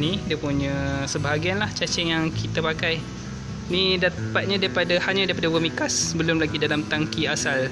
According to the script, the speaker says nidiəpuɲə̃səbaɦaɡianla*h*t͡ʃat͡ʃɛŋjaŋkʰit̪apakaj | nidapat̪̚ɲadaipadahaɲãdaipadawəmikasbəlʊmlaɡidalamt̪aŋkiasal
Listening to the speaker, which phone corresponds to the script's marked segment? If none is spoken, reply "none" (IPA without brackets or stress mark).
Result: h